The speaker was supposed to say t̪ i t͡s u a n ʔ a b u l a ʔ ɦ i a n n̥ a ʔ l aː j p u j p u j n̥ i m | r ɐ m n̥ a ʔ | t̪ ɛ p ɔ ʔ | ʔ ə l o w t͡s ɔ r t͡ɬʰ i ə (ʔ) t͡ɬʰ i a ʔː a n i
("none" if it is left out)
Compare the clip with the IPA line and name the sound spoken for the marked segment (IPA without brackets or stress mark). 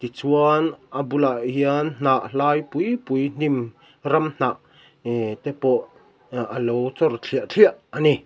ʔ